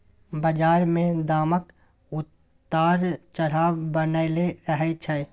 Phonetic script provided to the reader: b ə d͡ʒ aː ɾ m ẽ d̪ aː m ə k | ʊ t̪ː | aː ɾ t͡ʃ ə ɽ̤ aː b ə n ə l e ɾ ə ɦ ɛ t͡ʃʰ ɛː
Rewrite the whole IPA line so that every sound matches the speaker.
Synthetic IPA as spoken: b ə d͡ʒ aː ɾ m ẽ d̪ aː m ə k | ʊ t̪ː | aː ɾ t͡ʃ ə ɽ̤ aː b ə n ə l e ɾ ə ɦ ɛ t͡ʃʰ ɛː

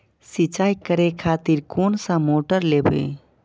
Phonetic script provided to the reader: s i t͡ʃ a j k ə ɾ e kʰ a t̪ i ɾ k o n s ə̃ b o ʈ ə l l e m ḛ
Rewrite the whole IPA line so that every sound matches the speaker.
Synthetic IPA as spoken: s i t͡ʃ a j k ə ɾ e kʰ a t̪ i ɾ k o n s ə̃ m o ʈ ə ɾ l e b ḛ

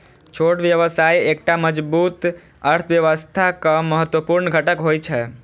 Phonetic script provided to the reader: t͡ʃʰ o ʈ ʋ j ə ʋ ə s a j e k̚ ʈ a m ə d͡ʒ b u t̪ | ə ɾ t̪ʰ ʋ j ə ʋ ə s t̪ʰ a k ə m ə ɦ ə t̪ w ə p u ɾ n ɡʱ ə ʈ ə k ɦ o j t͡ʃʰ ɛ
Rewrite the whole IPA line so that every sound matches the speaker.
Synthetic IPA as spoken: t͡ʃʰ o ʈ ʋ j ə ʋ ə s a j e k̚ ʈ a m ə d͡ʒ b u t̪ | ə ɾ t̪ʰ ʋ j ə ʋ ə s t̪ʰ a k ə m ə ɦ ə t̪ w ə p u ɾ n ɡʱ ə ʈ ə k ɦ o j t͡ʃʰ ɛ

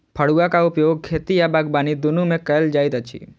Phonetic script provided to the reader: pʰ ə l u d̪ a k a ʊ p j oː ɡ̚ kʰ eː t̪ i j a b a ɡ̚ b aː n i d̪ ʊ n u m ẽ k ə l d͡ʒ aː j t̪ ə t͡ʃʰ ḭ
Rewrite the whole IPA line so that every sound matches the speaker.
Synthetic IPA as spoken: pʰ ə ɽ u a k a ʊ p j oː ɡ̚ kʰ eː t̪ i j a b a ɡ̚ b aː n i d̪ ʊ n u m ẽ k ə l d͡ʒ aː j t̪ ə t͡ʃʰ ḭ

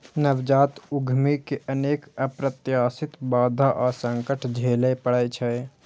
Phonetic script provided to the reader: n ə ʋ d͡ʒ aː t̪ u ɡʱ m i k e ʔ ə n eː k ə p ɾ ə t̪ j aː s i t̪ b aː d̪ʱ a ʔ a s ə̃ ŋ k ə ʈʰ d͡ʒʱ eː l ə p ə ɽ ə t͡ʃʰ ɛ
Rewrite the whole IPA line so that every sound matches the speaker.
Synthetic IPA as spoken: n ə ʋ d͡ʒ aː t̪ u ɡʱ m i k e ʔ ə n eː k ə p ɾ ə t̪ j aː s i t̪ b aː d̪ʱ a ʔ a s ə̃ ŋ k ə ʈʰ d͡ʒʱ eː l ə p ə ɽ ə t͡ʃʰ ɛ

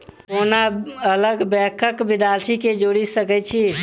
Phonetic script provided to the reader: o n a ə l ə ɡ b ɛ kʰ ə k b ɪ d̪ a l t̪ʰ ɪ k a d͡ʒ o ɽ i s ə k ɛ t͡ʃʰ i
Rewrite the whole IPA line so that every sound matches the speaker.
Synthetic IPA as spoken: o n a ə l ə ɡ b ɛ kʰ ə k b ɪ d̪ a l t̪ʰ i k e d͡ʒ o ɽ i s ə k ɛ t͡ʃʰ i

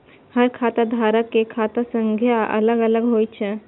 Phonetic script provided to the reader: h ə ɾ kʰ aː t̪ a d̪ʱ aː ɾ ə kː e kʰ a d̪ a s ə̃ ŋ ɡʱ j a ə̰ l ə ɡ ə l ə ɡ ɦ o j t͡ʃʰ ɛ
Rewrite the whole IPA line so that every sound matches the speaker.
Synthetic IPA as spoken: h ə ɾ kʰ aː t̪ a d̪ʱ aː ɾ ə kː e kʰ a t̪ a s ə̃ ŋ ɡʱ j a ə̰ l ə ɡ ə l ə ɡ ɦ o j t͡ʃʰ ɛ

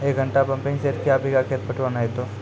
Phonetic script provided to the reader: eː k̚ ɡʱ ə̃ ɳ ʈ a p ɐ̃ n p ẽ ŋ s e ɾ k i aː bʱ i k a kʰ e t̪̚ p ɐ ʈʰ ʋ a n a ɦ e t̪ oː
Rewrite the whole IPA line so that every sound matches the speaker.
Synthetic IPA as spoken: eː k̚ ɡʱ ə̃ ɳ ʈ a p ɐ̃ m p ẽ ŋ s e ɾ k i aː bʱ i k a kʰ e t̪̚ p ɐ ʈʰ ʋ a n a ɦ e t̪ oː

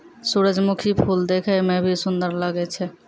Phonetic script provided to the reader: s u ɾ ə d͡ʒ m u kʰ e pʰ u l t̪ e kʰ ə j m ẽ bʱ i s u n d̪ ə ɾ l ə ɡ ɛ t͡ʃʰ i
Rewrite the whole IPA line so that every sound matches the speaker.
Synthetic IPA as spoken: s u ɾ ə d͡ʒ m u kʰ i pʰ u l d̪ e kʰ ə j m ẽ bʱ i s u n d̪ ə ɾ l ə ɡ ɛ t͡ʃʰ ɛ

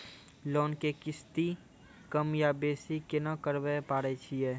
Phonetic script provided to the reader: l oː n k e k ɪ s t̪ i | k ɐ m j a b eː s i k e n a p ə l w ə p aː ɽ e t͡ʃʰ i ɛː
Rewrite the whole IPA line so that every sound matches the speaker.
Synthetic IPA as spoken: l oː n k e k ɪ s t̪ i | k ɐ m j a b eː s i k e n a k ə ɾ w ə p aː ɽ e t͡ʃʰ i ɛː

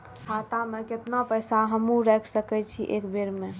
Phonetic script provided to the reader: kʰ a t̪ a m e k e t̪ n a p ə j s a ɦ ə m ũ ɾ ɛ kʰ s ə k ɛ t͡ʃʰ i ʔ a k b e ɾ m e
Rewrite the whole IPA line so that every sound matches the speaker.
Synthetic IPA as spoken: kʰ a t̪ a m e k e t̪ n a p ə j s a ɦ ə m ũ ɾ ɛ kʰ s ə k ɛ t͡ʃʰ i ʔ e k b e ɾ m e

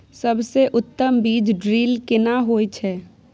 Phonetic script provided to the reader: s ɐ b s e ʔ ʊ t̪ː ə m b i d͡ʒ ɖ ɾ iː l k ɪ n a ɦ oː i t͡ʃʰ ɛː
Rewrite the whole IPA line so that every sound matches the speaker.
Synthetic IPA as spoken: s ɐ b s e ʔ ʊ t̪ː ə m b iː d͡ʒ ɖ ɾ iː l k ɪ n a ɦ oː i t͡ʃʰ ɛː

